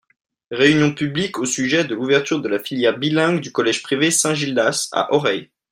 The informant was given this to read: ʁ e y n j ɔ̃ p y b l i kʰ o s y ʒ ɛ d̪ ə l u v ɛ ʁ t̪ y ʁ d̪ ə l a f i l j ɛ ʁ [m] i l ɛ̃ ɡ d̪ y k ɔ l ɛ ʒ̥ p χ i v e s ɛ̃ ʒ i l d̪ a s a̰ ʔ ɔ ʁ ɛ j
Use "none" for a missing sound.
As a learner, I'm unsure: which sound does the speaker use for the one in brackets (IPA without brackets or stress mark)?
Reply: b